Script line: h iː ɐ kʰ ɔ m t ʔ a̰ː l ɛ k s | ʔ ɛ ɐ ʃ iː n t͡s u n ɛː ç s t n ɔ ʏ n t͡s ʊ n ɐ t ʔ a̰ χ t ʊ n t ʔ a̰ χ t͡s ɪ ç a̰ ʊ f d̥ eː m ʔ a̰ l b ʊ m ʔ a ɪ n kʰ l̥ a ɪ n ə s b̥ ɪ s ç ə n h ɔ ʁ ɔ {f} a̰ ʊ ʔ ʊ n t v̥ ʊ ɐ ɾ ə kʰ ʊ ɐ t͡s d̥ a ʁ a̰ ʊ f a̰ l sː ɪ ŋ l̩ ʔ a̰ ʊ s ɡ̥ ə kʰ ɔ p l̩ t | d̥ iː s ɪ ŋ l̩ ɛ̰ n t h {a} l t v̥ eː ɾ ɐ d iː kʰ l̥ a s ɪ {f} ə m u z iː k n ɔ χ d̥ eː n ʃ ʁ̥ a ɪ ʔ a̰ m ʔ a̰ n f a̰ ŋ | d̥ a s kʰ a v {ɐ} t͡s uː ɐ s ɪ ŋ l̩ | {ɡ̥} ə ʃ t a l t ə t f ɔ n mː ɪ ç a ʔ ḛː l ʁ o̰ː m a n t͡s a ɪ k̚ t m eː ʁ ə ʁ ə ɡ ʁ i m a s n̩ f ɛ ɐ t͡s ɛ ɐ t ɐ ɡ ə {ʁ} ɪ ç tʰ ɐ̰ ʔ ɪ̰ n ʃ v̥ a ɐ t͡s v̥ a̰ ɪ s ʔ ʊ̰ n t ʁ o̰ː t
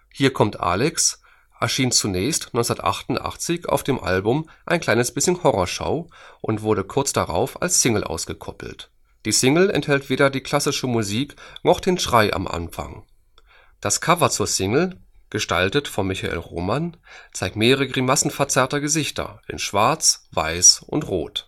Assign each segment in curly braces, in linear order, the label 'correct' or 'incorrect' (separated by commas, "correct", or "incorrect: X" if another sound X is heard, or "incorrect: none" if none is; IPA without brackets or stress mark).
incorrect: ʃ, incorrect: ɛ, incorrect: ʃ, correct, correct, incorrect: z